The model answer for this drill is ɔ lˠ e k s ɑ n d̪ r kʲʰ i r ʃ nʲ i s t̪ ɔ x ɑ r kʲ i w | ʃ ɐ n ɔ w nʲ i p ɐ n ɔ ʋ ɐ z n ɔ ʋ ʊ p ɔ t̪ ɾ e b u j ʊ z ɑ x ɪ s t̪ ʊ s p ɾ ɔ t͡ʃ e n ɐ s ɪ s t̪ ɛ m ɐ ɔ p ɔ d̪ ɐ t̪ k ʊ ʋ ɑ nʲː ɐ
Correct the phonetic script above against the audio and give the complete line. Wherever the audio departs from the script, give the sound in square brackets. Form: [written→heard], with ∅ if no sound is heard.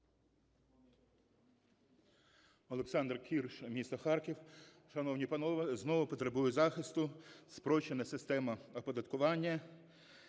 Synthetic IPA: ɔ lˠ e k s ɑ n d̪ r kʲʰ i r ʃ [nʲ→mʲ] i s t̪ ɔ x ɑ r kʲ i w | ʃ ɐ n ɔ w nʲ i p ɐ n ɔ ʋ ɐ z n ɔ ʋ ʊ p ɔ t̪ ɾ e b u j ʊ z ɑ x ɪ s t̪ ʊ s p ɾ ɔ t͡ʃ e n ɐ s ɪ s t̪ ɛ m ɐ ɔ p ɔ d̪ ɐ t̪ k ʊ ʋ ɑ nʲː ɐ